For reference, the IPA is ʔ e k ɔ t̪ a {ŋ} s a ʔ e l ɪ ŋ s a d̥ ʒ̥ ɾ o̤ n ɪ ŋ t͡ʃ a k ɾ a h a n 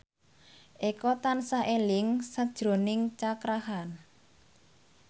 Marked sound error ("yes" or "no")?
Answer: yes